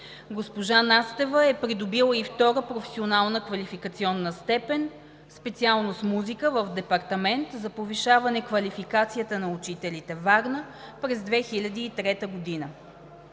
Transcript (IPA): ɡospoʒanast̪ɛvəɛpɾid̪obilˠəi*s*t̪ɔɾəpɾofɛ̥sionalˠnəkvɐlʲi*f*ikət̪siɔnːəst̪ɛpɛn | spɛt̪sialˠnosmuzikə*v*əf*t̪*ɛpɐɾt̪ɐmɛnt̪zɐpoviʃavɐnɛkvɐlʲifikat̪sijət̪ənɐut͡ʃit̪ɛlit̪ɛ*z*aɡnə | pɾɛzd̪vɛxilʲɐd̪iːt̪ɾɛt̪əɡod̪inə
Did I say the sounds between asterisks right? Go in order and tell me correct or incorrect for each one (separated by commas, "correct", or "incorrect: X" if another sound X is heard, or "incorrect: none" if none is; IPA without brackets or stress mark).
incorrect: f, correct, correct, incorrect: d̪, incorrect: v